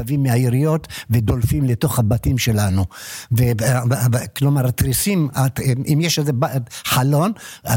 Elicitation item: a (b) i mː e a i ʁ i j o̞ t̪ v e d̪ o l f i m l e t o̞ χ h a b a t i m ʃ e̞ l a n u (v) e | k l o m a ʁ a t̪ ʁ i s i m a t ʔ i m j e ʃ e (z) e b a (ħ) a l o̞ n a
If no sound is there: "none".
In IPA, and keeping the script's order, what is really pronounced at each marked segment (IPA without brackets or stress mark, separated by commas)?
v, v, z, ħ